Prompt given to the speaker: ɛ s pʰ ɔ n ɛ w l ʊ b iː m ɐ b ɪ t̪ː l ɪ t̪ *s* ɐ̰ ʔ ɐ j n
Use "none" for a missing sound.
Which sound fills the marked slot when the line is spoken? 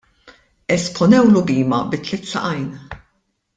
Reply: s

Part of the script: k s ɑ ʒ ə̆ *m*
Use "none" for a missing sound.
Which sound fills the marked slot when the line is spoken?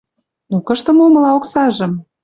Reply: m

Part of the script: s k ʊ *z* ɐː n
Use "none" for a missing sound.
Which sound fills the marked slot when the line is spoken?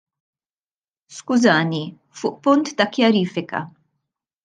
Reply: z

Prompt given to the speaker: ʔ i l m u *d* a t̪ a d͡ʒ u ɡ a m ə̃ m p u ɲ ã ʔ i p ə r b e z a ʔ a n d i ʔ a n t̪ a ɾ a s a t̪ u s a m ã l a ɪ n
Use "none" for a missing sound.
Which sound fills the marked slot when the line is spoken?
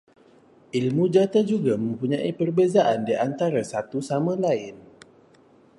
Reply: d͡ʒ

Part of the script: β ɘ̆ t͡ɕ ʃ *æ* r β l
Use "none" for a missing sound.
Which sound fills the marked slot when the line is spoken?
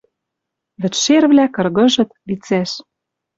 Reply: e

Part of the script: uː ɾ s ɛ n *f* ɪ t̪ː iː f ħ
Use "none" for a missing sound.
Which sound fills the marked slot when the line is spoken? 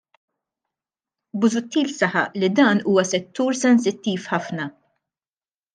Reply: s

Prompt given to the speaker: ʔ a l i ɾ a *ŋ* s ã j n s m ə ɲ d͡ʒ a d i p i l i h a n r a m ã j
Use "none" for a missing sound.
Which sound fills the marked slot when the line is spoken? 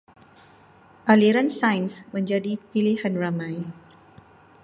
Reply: n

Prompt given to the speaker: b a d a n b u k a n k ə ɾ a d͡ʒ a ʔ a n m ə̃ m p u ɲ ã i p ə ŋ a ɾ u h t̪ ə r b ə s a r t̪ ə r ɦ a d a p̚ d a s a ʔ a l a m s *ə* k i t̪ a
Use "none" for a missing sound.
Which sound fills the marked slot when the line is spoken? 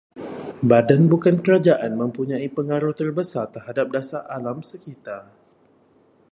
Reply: ə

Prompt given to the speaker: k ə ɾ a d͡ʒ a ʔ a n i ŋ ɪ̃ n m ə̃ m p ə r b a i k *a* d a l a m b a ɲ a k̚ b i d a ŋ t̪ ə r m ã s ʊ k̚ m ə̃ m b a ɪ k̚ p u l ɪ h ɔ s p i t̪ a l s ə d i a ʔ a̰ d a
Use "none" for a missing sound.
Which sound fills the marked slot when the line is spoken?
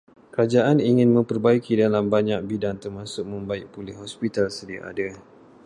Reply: i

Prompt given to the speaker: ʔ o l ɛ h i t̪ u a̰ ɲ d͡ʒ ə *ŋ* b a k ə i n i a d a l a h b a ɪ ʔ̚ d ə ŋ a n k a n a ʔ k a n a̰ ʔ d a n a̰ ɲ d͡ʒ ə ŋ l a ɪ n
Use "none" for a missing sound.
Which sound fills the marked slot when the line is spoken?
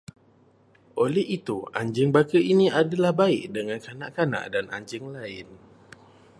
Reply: ŋ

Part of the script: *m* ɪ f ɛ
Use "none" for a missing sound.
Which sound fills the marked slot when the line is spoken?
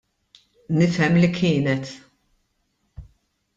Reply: n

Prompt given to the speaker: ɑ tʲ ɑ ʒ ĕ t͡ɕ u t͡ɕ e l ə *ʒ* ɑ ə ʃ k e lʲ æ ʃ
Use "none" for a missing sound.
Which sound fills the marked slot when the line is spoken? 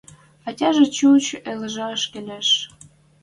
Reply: ʒ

